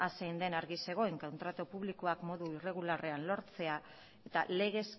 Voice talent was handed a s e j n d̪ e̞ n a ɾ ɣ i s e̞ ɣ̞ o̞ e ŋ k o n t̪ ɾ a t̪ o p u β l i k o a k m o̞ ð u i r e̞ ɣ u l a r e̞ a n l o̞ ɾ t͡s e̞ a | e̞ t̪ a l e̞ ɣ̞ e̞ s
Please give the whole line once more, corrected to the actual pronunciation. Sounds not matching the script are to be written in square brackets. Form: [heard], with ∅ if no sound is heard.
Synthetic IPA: a s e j n d̪ e̞ n a ɾ ɣ i s e̞ ɣ̞ o̞ e ŋ k o n t̪ ɾ a t̪ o p u β l i k o a k m o̞ ð u i r e̞ ɣ u l a r e̞ a n l o̞ ɾ t͡s e̞ a | e̞ t̪ a l e̞ ɣ̞ e̞ s